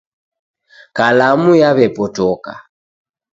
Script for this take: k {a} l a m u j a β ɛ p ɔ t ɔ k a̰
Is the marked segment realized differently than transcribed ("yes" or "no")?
no